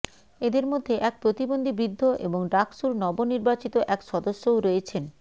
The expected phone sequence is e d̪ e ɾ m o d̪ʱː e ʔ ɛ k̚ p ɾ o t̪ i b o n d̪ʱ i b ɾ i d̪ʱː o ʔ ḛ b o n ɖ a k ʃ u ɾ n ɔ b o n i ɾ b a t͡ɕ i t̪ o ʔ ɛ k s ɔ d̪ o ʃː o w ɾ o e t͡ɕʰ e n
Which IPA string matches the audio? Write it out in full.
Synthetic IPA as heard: e d̪ e ɾ m o d̪ʱː e ʔ ɛ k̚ p ɾ o t̪ i b o n d̪ʱ i b ɾ i d̪ʱː o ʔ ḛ b o ŋ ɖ a k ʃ u ɾ n ɔ b o n i ɾ b a t͡ɕ i t̪ o ʔ ɛ k ʃ ɔ d̪ o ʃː o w ɾ o e t͡ɕʰ e n